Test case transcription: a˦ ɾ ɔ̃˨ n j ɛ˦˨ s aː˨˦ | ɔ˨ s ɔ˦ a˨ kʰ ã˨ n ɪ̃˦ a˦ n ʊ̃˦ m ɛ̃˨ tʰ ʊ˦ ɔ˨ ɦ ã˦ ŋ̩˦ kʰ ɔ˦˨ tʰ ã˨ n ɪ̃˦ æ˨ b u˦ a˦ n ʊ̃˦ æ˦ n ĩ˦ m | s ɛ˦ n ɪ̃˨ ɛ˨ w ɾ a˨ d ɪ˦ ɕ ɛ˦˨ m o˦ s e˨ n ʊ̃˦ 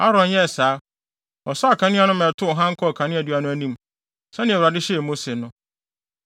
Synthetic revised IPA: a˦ ɾ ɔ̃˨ n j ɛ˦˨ s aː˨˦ | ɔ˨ s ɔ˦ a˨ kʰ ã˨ n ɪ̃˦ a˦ n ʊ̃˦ m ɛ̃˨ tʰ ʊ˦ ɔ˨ ɦ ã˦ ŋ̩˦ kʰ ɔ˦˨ kʰ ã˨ n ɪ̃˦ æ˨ d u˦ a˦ n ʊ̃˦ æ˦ n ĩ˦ m | s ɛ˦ n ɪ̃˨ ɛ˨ w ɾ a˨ d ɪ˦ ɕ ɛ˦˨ m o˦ s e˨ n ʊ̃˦